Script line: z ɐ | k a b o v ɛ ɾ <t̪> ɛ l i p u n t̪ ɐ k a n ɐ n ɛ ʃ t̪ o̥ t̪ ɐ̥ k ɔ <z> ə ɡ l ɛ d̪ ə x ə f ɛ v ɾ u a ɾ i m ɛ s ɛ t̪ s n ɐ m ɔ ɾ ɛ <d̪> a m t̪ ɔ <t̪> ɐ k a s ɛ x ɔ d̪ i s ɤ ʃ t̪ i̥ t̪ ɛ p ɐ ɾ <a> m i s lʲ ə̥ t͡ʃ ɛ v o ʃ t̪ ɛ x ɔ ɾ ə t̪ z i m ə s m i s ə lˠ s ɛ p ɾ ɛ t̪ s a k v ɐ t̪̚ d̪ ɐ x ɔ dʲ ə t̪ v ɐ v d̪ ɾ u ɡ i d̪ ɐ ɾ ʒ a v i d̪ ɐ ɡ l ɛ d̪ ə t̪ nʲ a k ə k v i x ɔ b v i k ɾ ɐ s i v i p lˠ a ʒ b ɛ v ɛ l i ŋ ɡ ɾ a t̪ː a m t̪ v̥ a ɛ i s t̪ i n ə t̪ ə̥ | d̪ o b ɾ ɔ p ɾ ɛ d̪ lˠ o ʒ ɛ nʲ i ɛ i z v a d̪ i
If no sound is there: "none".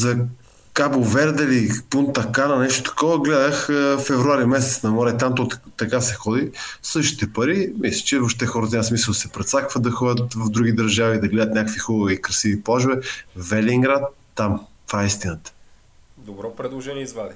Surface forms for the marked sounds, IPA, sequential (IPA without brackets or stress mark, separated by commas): d̪, v, t̪, t̪, i